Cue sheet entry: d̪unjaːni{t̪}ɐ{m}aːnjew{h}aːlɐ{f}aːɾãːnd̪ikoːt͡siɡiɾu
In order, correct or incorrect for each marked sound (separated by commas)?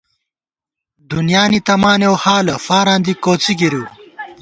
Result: correct, correct, correct, correct